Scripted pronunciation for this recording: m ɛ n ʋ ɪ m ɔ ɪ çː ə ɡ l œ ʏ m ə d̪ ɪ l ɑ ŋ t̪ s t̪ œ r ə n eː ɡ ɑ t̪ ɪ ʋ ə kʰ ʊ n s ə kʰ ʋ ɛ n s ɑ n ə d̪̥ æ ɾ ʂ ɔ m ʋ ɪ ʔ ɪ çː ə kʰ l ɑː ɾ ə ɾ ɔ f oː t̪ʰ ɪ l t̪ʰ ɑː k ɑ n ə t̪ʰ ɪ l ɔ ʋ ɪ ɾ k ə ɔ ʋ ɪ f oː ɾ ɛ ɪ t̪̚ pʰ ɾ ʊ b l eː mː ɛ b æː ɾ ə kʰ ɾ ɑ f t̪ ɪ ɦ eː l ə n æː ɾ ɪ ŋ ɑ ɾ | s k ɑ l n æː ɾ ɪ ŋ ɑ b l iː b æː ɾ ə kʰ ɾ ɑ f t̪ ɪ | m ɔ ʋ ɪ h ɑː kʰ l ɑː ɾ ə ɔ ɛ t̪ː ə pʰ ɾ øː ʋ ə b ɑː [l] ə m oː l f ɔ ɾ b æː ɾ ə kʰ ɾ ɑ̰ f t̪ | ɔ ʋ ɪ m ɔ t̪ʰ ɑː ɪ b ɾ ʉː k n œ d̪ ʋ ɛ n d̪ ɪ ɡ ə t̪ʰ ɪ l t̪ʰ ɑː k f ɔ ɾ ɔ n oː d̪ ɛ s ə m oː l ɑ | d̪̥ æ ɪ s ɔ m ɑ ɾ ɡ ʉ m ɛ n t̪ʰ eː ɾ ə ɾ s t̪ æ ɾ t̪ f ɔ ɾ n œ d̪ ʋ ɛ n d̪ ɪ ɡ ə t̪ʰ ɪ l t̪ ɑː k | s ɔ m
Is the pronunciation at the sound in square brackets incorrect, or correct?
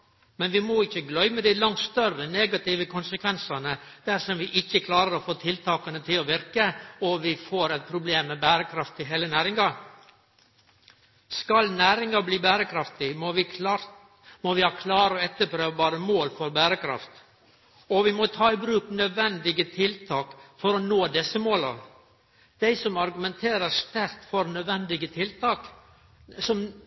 incorrect